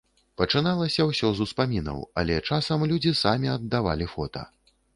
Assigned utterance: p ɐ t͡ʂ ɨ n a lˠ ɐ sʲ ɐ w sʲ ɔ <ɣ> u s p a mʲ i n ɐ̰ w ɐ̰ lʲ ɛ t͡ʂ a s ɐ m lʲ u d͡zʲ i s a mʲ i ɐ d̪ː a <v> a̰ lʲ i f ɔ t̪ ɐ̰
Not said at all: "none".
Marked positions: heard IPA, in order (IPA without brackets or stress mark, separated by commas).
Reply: z, v